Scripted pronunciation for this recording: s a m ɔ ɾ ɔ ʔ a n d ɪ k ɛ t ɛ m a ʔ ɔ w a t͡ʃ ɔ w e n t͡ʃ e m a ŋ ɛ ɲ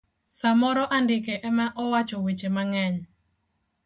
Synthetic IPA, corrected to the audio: s a m ɔ ɾ ɔ ʔ a n d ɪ k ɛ ʔ ɛ m a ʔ ɔ w a t͡ʃ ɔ w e t͡ʃ e m a ŋ ɛ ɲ